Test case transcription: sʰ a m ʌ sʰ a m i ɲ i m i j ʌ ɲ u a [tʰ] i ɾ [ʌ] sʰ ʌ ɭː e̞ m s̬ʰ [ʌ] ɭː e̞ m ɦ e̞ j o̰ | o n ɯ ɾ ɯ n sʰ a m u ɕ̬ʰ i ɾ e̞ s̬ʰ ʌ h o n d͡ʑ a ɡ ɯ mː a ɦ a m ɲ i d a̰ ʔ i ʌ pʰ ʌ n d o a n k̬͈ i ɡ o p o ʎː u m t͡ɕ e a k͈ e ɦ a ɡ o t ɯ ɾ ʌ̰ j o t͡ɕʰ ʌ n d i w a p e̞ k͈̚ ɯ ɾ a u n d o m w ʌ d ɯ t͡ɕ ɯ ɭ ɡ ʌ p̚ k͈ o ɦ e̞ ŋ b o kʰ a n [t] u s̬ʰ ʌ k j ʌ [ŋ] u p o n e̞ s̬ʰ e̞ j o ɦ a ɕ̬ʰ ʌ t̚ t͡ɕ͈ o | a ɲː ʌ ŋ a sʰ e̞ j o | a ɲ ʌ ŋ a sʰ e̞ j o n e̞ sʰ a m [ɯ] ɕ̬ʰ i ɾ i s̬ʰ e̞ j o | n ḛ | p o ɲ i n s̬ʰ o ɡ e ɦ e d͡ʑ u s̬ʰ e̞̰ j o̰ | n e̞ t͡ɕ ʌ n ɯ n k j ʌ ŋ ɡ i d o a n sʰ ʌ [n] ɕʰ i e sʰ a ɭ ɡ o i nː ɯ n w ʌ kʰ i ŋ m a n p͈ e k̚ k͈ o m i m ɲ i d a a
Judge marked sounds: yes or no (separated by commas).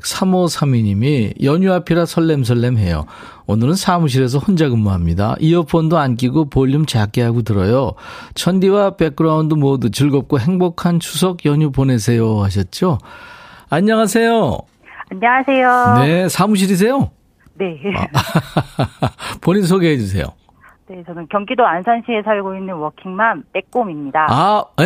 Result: no, no, yes, no, no, no, yes